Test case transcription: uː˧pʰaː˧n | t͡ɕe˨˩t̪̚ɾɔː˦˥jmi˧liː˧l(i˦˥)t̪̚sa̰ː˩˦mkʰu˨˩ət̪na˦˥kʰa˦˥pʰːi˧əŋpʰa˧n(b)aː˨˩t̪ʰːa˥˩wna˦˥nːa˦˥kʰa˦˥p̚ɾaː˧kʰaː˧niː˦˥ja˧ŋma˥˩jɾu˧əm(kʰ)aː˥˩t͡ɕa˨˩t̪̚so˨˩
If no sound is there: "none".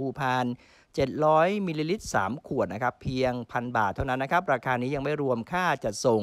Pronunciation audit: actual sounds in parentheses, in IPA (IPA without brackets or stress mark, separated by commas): i˦˥, b, kʰ